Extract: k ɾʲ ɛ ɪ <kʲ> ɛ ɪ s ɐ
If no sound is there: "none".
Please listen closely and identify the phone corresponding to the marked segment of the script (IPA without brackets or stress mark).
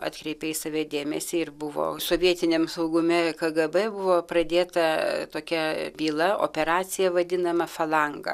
pʲ